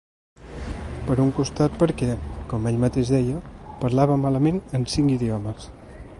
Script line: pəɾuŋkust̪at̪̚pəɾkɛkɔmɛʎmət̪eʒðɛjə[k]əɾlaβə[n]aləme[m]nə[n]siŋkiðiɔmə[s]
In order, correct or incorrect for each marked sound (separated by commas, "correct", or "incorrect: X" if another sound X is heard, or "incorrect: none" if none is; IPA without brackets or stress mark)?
incorrect: p, incorrect: m, incorrect: none, correct, correct